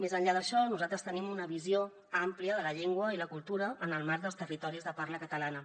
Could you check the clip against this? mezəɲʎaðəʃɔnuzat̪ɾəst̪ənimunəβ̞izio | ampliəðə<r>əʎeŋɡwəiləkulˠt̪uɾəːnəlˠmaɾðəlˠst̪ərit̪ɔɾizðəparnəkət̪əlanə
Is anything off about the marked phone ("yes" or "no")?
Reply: yes